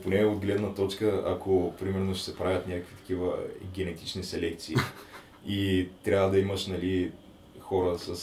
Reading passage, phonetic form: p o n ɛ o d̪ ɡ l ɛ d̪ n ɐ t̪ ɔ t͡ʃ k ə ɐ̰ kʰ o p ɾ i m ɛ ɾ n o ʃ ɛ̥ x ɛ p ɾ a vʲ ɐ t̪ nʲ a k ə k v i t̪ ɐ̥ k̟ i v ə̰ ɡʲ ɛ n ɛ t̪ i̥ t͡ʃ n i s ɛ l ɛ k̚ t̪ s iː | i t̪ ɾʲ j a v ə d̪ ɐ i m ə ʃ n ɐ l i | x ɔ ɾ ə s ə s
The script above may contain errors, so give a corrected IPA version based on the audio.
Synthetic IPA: p o n ɛ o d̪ ɡ l ɛ d̪ n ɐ t̪ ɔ t͡ʃ k ə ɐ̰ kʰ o p ɾ i m ɛ ɾ n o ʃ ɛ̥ s ɛ p ɾ a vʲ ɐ t̪ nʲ a k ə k v i t̪ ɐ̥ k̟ i v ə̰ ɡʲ ɛ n ɛ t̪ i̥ t͡ʃ n i s ɛ l ɛ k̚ t̪ s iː | i t̪ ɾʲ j a v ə d̪ ɐ i m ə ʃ n ɐ l i | x ɔ ɾ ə s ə s